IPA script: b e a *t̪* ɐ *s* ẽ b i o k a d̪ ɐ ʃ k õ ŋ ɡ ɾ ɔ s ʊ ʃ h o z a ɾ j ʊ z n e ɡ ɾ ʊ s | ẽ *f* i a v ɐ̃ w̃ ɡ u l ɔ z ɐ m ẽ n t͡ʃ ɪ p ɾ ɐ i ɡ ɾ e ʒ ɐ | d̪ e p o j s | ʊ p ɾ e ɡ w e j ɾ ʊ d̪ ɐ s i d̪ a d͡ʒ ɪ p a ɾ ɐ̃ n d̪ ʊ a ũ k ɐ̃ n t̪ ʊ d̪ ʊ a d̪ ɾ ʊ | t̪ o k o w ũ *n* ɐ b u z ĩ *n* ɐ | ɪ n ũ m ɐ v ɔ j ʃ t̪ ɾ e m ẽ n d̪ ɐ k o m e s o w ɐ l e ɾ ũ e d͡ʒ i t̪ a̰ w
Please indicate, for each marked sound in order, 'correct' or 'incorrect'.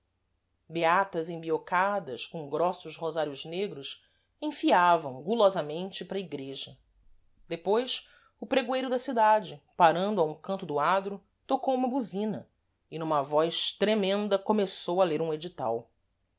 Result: correct, incorrect: z, correct, incorrect: m, correct

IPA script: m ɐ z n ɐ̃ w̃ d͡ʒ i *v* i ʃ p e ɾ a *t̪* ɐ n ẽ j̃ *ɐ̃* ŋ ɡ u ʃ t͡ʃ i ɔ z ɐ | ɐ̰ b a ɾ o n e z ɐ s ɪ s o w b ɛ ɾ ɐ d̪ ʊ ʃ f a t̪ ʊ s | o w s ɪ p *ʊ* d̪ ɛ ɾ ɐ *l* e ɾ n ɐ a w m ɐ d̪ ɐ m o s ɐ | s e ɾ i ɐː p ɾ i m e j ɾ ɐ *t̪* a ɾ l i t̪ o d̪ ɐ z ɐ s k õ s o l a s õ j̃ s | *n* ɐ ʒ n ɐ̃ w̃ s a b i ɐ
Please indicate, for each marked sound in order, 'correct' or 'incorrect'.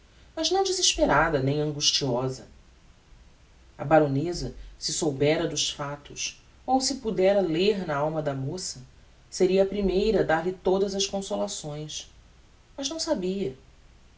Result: incorrect: z, incorrect: d̪, correct, incorrect: u, correct, incorrect: d̪, incorrect: m

